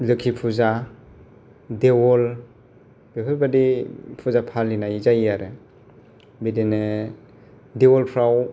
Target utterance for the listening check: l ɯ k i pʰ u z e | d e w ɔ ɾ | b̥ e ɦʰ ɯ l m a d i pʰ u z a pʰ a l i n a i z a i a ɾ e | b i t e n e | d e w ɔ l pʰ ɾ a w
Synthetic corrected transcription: l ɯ kʰ i pʰ u z a | d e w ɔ l | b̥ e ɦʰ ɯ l b a d i pʰ u z a pʰ a l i n a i z a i a ɾ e | b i d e n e | d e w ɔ l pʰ ɾ a w